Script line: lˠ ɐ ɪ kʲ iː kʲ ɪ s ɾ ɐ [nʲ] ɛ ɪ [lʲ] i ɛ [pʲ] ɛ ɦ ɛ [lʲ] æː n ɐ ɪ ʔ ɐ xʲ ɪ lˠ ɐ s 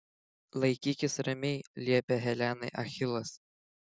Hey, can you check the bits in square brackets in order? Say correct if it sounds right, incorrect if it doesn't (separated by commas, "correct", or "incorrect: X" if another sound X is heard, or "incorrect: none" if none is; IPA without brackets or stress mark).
incorrect: mʲ, correct, correct, correct